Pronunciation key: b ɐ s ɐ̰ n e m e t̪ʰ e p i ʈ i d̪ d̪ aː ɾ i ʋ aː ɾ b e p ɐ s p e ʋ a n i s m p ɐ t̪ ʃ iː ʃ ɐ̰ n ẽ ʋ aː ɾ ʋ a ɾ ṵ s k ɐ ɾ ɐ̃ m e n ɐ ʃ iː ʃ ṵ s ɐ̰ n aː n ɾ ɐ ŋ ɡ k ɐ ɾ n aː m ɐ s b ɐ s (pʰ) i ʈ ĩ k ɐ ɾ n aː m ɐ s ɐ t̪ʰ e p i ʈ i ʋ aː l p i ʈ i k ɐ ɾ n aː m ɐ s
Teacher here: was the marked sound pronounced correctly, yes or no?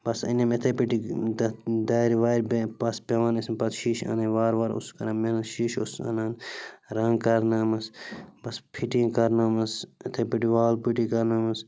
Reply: yes